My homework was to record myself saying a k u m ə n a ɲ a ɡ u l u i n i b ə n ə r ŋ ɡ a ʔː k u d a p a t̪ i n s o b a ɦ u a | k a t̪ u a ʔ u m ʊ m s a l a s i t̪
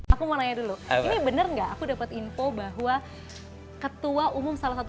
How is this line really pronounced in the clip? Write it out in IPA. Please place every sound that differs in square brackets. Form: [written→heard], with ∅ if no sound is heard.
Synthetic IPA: a k u m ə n a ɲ a [ɡ→d] u l u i n i b ə n ə r ŋ ɡ a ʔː k u d a p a t̪ i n [s→f] o b a ɦ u a | k [a→ə] t̪ u a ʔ u m ʊ m s a l a s [i→a] t̪